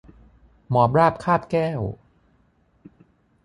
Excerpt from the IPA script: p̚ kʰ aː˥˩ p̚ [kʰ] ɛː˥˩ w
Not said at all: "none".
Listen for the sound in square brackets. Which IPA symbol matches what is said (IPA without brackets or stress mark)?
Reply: k